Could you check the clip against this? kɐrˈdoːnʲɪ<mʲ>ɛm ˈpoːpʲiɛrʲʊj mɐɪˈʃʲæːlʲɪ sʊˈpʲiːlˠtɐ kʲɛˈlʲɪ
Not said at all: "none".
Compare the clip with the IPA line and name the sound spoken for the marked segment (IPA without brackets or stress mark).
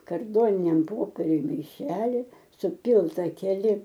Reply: nʲ